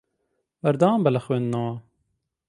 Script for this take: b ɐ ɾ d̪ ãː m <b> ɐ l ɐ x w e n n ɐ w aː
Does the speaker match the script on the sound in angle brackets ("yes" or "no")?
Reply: yes